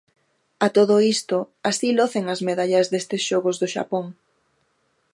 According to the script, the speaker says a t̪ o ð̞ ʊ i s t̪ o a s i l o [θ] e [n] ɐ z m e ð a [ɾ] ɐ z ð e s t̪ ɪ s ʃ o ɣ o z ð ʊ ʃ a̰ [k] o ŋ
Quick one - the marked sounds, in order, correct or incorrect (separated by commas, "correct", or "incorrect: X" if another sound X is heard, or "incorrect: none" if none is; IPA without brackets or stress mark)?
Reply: correct, incorrect: ŋ, incorrect: ʎ, incorrect: p